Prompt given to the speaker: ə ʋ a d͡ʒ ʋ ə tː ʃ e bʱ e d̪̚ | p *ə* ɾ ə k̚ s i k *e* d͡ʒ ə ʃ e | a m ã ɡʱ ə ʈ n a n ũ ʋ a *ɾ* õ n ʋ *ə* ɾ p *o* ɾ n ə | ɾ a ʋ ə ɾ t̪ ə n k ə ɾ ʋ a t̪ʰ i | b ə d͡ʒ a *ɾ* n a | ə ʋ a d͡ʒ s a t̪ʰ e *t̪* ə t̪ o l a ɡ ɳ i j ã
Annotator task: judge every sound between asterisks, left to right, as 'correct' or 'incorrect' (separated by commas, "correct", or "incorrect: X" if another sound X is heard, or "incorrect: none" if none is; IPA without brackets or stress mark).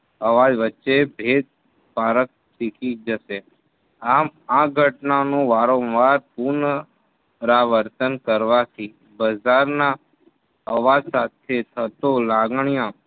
incorrect: a, incorrect: i, correct, incorrect: a, incorrect: u, correct, incorrect: t̪ʰ